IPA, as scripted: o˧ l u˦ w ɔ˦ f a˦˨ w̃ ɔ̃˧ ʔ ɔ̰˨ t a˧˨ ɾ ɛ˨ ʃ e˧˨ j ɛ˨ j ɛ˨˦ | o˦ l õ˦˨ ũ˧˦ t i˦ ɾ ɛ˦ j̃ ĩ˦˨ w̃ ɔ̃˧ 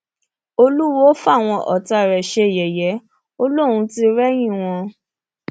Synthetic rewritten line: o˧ l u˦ w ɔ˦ f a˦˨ w̃ ɔ̃˧ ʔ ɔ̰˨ t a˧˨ ɾ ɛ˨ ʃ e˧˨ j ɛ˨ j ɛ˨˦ | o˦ l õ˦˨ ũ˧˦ t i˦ ɾ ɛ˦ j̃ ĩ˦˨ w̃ ɔ̃˧